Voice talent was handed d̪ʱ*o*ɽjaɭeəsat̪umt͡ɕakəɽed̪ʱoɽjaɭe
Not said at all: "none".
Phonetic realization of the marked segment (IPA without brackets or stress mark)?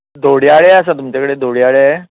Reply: o